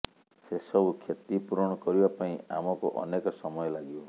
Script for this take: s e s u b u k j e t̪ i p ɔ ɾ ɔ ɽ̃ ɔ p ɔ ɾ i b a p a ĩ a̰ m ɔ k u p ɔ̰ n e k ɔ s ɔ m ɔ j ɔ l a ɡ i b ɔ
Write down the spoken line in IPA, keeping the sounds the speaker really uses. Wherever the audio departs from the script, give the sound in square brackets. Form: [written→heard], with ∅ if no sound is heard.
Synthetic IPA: s e s [u→ɔ] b u [k→kʰ] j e t̪ i p [ɔ→u] ɾ ɔ ɽ̃ ɔ [p→k] ɔ ɾ i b a p a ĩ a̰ m ɔ k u [p→ʔ] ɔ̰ n e k ɔ s ɔ m ɔ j ɔ l a ɡ i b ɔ